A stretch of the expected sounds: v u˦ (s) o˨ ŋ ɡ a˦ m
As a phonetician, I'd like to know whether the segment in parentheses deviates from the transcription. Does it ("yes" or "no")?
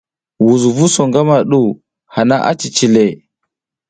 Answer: no